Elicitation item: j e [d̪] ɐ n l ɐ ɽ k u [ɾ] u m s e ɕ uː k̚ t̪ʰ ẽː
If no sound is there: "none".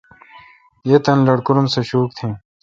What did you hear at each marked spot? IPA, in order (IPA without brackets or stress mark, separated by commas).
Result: t̪, ɾ